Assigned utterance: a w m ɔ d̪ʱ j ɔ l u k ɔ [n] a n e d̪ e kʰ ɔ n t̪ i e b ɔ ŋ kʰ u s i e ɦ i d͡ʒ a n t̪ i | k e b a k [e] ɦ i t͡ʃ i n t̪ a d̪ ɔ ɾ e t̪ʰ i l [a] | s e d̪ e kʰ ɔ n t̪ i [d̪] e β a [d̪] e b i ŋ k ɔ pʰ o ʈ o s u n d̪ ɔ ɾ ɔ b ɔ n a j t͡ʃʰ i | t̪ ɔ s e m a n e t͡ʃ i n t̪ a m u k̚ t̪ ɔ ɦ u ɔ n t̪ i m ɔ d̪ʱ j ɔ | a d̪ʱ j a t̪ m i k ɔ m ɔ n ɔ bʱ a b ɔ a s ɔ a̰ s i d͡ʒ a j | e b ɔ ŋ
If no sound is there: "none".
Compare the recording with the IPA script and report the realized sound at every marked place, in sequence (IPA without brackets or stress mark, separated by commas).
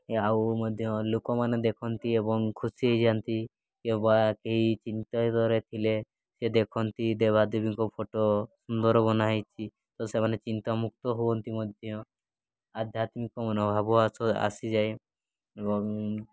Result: m, e, e, d̪, d̪